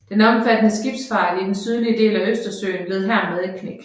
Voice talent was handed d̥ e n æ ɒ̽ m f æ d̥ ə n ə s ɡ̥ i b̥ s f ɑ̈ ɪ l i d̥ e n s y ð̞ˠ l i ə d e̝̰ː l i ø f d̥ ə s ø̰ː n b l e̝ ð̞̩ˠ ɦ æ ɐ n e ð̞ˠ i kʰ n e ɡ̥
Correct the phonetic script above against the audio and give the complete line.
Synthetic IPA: d̥ e n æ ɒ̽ m f æ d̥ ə n ə s ɡ̥ i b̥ s f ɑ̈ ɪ l i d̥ e n s y ð̞ˠ l i ə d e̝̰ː l æ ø s d̥ ɐ s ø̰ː n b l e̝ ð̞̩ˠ ɦ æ ɐ m e ð̞ˠ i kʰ n e ɡ̥